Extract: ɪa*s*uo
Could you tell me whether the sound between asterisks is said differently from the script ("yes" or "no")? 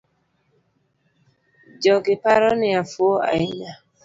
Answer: yes